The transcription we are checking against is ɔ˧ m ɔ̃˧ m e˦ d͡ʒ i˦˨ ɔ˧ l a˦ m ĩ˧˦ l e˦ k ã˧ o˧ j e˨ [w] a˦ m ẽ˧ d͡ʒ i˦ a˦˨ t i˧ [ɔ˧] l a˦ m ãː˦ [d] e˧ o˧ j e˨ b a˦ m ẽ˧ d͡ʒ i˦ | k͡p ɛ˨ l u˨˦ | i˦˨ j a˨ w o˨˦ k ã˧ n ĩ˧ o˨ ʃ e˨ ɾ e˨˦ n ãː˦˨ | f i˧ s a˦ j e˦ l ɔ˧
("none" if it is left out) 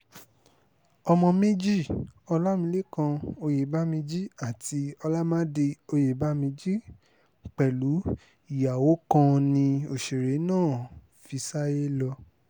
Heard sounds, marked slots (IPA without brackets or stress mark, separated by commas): b, ɔ˧, d